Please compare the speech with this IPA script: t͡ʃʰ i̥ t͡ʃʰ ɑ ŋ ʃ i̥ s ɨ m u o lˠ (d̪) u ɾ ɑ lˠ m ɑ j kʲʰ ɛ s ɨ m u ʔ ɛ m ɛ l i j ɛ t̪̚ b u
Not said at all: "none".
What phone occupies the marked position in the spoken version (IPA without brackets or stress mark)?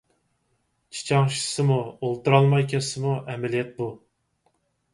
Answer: t̪